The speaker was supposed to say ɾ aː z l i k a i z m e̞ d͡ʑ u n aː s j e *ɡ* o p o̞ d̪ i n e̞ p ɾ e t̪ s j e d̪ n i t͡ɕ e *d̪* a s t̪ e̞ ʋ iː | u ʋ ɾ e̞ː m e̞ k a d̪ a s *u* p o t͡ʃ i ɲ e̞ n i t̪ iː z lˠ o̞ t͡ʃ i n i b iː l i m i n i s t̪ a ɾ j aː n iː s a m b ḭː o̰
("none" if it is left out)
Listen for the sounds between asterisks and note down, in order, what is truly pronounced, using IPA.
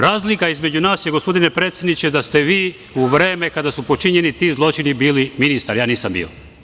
ɡ, d̪, u

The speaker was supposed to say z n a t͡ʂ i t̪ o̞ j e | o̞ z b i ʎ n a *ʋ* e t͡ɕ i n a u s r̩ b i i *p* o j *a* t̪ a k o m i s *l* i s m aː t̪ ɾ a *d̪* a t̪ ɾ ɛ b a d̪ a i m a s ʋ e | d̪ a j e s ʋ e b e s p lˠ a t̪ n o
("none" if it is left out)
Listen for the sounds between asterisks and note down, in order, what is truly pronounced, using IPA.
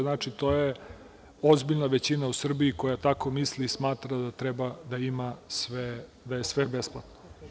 ʋ, k, a, l, d̪

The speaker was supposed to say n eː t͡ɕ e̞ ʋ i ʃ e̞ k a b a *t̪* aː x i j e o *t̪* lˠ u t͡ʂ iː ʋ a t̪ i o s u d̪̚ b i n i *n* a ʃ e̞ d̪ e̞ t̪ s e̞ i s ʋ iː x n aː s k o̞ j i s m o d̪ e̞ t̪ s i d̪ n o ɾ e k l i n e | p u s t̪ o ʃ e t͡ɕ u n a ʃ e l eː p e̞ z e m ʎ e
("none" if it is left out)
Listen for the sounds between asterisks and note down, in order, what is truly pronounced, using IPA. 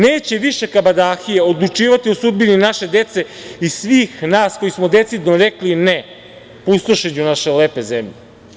d̪, d̪, n

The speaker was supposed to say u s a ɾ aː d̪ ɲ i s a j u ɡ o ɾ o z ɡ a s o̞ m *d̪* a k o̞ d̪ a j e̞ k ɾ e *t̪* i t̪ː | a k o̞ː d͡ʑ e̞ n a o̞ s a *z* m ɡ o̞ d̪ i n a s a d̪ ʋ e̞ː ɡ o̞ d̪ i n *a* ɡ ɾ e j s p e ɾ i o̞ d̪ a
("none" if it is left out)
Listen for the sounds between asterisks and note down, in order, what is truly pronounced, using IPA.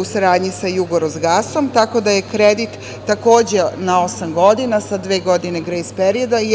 t̪, d̪, none, e

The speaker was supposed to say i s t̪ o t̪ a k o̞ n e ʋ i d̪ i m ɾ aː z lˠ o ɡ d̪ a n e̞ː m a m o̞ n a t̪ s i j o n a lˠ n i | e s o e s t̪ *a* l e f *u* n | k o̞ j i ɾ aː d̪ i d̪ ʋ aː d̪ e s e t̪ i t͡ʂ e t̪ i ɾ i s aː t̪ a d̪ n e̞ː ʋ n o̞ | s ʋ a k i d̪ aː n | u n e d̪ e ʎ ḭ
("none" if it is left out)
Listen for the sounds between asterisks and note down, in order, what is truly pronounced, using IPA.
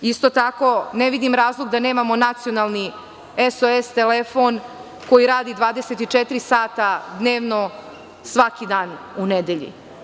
e, o

